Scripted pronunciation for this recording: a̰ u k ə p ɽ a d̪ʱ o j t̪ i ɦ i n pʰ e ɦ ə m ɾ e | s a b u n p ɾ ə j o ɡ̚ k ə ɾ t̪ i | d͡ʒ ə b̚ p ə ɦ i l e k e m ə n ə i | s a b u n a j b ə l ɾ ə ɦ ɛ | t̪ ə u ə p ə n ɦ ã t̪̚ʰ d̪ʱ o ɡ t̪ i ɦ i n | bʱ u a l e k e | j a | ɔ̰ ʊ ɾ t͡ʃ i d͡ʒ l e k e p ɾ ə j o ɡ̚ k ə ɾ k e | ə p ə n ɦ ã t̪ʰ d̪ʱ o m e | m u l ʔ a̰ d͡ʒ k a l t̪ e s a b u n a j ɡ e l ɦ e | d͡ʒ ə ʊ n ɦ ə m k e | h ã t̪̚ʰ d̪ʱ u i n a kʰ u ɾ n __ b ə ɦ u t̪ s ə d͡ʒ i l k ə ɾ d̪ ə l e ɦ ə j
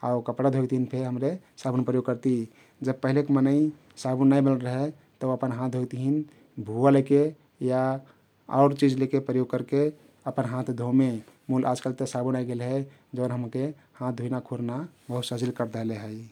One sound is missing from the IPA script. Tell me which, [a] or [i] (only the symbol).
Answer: a